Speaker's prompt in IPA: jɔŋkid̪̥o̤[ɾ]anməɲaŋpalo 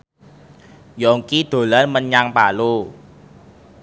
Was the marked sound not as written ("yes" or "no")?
yes